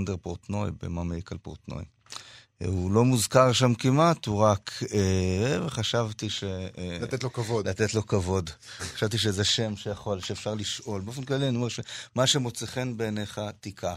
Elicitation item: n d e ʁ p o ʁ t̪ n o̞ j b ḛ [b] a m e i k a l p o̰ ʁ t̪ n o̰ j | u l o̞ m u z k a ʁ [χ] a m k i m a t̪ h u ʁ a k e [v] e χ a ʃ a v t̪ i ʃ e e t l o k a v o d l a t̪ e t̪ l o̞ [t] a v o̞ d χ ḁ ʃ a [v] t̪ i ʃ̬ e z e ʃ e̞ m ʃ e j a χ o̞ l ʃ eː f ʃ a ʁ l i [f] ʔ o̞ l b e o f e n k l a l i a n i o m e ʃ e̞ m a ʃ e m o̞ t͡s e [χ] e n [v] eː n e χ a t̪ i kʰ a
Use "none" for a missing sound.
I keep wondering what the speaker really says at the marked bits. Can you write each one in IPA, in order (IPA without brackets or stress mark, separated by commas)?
m, ʃ, v, k, v, ʃ, χ, b